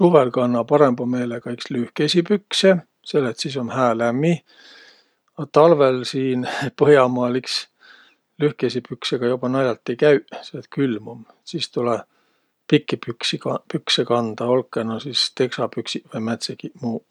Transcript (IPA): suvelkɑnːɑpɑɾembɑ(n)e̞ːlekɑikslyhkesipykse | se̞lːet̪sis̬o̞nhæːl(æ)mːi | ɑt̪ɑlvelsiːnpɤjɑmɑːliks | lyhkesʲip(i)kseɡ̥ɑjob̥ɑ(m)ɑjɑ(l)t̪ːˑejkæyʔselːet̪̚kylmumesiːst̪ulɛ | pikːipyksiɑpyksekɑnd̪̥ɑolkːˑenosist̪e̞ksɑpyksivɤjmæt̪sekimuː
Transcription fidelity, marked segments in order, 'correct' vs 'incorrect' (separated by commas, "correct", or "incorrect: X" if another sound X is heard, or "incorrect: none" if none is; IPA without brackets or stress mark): incorrect: m, correct, incorrect: y, incorrect: n, correct